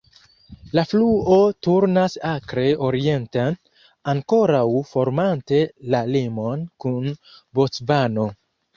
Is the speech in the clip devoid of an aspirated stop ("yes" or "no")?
yes